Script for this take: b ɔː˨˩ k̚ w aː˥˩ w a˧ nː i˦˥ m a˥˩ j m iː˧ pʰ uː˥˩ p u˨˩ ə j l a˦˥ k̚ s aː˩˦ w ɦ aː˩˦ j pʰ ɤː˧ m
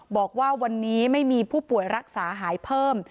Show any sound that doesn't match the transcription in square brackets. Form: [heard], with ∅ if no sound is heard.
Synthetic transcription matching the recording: b ɔː˨˩ k̚ w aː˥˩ w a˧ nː [iː˦˥] m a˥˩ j m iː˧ pʰ uː˥˩ p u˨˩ ə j [ɾ] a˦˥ k̚ s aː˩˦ [∅] ɦ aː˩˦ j pʰ [ɤː˥˩] m

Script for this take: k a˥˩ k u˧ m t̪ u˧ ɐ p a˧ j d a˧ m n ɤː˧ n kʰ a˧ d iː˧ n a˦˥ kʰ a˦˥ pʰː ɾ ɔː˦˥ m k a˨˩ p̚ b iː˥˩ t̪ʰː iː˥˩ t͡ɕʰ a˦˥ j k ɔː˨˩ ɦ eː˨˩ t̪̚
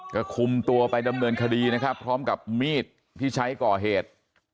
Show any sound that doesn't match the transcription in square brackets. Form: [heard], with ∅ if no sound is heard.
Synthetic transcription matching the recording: k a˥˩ [kʰ] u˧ m t̪ u˧ ɐ p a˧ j d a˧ m n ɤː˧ n kʰ a˧ d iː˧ n a˦˥ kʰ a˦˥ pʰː ɾ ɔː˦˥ m k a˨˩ p̚ [m] iː˥˩ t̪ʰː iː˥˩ t͡ɕʰ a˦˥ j k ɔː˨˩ ɦ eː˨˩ t̪̚

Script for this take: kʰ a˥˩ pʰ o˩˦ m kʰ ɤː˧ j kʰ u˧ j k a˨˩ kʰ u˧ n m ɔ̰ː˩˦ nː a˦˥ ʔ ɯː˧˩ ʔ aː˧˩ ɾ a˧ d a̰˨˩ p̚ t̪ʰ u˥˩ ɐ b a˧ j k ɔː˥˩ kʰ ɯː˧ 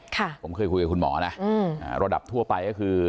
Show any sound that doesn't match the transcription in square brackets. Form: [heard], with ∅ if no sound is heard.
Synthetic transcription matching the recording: kʰ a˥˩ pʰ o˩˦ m kʰ ɤː˧ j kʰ u˧ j k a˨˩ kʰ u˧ n m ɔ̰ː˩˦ [n] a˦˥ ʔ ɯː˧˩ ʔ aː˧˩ ɾ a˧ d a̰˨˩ p̚ t̪ʰ u˥˩ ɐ [p] a˧ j k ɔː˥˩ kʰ ɯː˧

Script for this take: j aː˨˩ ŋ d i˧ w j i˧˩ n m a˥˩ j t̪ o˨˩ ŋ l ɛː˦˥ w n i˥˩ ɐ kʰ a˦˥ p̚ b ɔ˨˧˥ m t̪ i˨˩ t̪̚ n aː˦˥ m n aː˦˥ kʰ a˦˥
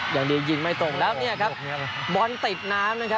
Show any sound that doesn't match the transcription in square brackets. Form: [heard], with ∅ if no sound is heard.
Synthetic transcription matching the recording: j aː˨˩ ŋ d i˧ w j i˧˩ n m a˥˩ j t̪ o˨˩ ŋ l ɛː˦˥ w n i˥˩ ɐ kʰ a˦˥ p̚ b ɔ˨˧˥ [n] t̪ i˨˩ t̪̚ n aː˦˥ m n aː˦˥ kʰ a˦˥

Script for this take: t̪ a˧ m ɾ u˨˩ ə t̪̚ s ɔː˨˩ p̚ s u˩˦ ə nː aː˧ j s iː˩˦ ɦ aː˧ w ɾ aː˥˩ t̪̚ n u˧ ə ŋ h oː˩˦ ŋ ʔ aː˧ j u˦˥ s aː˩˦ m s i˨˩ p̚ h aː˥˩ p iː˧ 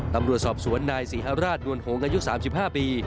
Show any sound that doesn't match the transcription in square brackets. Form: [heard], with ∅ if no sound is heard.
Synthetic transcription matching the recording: t̪ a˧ m ɾ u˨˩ ə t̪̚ s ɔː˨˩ p̚ s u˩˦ ə nː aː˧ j s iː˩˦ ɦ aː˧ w ɾ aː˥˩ t̪̚ n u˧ ə [n] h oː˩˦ ŋ ʔ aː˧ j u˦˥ s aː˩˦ m s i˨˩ p̚ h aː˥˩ p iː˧

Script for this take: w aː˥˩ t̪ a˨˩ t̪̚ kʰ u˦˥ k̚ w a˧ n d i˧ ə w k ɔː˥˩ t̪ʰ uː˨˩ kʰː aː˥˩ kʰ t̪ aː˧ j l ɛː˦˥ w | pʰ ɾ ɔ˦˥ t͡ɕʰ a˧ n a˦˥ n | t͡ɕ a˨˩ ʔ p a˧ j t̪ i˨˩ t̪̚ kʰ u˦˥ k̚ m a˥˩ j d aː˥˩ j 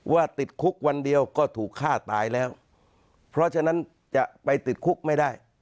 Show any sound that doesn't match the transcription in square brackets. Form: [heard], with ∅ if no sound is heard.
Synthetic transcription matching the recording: w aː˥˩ t̪ [i˨˩] t̪̚ kʰ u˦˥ k̚ w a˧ n d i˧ ə w k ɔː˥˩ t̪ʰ uː˨˩ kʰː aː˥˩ [∅] t̪ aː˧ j l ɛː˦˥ w | pʰ ɾ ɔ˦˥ t͡ɕʰ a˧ n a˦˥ n | t͡ɕ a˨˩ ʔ p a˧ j t̪ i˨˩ t̪̚ kʰ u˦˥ k̚ m a˥˩ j d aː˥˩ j

